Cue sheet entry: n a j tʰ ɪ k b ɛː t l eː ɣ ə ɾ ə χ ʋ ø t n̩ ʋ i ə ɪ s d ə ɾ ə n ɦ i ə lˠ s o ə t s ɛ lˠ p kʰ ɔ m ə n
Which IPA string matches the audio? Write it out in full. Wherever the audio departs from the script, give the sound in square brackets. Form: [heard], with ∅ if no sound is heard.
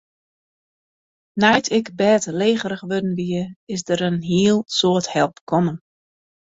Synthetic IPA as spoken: n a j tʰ ɪ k b ɛː t l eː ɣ ə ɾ ə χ ʋ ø [d] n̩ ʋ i ə ɪ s d ə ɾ ə n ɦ i ə lˠ s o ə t [h] ɛ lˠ p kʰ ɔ m ə n